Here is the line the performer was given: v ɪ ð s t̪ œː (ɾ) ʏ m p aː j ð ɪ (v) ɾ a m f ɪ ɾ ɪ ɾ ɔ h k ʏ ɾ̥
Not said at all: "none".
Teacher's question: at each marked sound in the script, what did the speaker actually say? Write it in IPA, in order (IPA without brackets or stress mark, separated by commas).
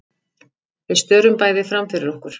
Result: ɾ, f